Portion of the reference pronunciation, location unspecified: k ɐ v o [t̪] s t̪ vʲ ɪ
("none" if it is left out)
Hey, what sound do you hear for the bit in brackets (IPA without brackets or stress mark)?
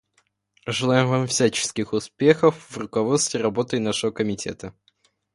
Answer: t̪